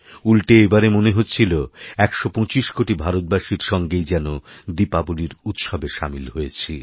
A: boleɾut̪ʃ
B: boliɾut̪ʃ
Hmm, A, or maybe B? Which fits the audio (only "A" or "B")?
B